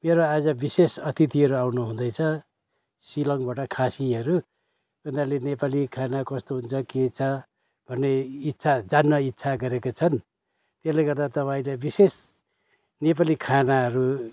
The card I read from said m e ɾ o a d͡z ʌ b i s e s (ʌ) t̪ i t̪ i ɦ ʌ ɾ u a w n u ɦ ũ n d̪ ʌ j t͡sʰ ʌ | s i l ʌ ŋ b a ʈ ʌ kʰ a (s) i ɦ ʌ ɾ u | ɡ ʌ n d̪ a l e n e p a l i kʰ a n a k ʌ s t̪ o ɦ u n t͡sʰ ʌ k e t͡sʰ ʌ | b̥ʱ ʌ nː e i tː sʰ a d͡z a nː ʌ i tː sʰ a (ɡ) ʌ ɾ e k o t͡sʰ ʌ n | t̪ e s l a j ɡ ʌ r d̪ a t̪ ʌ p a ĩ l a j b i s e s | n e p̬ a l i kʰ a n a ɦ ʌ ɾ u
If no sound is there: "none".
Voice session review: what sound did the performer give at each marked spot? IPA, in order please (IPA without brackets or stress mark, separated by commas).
ʌ, s, ɡ